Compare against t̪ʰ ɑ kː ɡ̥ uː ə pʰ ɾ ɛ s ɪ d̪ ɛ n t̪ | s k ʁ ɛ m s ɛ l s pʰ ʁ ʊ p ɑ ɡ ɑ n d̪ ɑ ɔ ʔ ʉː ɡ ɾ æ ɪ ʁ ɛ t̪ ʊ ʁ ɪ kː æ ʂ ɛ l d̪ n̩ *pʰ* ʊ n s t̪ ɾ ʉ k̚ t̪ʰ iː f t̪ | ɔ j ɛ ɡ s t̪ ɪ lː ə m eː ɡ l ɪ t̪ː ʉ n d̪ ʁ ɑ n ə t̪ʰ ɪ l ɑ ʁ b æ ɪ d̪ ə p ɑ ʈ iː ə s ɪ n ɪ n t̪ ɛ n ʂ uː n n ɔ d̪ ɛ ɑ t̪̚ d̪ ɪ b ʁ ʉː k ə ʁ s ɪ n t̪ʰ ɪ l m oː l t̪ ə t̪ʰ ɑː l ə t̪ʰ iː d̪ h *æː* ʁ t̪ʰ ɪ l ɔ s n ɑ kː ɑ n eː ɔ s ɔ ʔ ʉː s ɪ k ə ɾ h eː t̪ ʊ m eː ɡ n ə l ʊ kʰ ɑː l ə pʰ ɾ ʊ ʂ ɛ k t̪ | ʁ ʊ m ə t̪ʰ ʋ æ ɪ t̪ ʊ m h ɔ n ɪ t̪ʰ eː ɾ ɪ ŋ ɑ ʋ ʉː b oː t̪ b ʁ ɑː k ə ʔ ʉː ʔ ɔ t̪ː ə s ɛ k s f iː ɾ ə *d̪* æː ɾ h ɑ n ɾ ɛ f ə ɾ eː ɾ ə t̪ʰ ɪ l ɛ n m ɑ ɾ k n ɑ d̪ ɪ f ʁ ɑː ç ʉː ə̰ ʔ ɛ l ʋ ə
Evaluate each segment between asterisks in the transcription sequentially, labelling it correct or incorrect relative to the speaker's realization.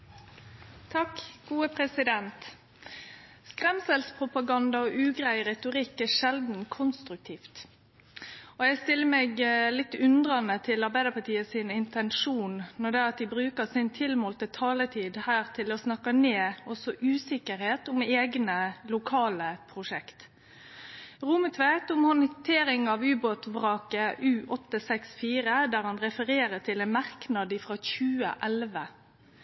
incorrect: kʰ, correct, correct

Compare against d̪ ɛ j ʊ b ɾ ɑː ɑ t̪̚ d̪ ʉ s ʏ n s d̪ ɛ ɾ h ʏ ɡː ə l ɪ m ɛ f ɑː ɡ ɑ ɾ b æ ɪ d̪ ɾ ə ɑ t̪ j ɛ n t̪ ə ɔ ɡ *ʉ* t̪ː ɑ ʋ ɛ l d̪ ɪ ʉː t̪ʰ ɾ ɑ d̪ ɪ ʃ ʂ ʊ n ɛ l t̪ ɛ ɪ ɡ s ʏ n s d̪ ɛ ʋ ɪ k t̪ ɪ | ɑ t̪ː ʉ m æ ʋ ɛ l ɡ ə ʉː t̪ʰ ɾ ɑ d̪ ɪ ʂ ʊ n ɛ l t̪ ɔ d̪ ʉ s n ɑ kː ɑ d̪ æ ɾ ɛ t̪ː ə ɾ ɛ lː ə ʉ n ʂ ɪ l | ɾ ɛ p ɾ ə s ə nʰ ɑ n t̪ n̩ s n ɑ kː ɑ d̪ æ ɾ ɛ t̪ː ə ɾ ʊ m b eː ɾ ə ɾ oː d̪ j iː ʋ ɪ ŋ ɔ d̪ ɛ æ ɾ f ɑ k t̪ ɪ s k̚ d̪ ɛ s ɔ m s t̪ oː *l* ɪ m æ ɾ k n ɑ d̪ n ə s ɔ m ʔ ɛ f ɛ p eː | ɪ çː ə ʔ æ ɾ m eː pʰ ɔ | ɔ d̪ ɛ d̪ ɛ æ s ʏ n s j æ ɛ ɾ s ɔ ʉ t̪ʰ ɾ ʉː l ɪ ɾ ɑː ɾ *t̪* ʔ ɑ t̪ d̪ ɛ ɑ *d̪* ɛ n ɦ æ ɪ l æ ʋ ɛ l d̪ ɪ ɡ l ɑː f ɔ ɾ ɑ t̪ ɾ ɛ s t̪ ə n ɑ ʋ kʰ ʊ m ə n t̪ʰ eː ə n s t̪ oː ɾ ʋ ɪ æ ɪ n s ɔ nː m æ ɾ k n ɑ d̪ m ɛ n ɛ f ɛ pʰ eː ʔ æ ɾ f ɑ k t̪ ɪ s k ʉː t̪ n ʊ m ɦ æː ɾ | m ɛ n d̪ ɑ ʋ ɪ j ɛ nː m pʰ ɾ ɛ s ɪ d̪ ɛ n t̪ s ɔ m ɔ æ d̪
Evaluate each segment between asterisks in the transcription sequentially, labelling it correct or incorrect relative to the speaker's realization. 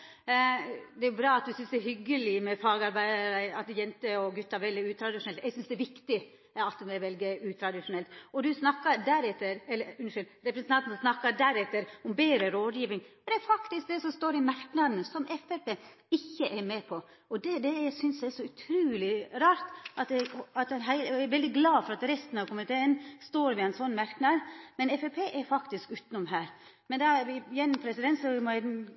correct, incorrect: ɾ, correct, incorrect: t̪

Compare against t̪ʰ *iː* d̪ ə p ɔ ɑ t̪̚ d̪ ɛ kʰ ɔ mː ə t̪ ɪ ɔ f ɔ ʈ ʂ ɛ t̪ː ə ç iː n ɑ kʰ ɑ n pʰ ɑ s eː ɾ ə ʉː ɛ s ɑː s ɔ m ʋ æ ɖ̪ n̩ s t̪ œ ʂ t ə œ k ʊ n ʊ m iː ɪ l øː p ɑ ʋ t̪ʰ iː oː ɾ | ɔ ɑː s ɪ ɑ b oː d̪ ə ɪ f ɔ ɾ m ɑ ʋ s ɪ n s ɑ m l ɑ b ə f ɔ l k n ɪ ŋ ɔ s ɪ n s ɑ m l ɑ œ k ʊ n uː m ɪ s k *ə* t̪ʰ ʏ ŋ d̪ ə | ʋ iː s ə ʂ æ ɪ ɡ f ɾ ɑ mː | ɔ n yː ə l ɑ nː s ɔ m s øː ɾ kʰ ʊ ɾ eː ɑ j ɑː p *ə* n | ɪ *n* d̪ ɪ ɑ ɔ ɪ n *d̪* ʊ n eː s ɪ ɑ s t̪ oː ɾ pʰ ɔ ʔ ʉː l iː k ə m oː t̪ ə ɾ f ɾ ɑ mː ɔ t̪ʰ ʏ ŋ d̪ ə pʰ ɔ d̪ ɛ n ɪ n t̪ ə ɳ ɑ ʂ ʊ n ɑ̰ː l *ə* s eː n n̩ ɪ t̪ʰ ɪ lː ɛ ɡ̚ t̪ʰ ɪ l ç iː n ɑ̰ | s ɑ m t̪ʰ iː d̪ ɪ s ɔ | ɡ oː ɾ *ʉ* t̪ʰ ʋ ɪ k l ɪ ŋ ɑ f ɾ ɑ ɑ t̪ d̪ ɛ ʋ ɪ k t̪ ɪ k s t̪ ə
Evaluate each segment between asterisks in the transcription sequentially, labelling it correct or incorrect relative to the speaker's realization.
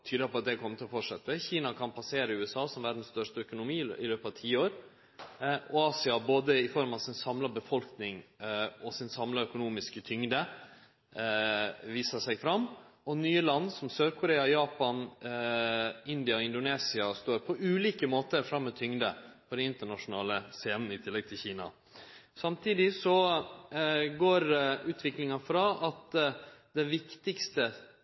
incorrect: yː, correct, incorrect: ɑ, correct, correct, correct, incorrect: ʉː

